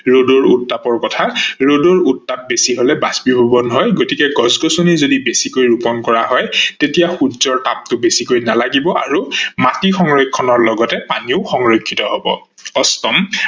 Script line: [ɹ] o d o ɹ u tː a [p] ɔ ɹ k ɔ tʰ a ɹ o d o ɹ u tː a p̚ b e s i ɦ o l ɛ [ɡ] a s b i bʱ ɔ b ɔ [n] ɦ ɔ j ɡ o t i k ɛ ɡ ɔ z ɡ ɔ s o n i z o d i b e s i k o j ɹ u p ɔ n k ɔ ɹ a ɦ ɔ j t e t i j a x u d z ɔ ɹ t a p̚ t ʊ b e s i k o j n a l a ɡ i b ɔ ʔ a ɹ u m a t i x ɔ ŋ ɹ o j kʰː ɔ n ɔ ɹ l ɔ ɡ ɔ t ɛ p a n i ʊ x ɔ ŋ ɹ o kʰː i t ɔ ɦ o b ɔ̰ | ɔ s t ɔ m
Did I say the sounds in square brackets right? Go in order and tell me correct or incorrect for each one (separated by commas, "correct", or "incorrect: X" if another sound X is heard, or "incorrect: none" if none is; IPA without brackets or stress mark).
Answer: correct, correct, incorrect: b, correct